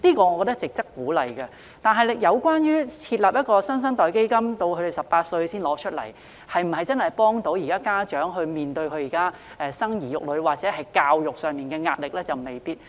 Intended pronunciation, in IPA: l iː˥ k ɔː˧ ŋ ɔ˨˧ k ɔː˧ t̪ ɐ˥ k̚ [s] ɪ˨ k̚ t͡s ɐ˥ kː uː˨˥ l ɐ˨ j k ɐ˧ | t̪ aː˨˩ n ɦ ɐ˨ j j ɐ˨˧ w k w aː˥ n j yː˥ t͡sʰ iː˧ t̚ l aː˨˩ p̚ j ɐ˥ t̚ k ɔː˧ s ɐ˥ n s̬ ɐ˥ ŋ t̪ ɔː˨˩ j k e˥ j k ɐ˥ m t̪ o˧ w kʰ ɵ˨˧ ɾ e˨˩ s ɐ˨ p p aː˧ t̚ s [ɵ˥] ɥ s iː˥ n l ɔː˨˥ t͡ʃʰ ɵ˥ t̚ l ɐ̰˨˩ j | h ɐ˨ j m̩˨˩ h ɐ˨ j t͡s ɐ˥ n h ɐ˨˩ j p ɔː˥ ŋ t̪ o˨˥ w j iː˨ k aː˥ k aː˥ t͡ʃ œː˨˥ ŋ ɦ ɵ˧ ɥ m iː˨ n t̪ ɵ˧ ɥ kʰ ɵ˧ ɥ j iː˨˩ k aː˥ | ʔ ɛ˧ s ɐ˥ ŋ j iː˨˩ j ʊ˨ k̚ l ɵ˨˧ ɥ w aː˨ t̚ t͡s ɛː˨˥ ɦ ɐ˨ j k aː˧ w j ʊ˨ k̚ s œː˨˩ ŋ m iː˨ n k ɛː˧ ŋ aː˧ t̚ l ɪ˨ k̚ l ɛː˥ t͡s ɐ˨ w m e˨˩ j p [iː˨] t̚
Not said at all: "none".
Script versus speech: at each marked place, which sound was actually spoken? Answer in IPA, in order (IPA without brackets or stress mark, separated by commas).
t͡s, ɵ˧, iː˥